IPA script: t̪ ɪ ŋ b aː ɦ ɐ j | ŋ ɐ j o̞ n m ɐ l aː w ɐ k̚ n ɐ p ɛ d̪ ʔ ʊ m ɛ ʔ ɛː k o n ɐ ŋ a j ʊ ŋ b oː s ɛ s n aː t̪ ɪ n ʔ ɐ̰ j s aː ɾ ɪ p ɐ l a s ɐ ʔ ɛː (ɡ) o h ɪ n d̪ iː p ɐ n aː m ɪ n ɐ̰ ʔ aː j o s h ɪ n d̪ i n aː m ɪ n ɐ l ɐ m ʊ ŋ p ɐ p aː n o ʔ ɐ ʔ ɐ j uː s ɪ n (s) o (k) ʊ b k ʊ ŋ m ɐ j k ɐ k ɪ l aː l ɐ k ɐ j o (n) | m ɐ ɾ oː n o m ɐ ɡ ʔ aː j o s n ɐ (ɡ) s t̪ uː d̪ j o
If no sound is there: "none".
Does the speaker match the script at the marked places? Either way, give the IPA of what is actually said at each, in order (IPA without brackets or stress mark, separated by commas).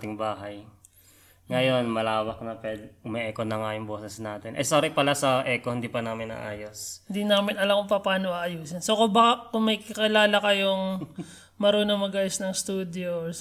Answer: k, s, k, ŋ, ŋ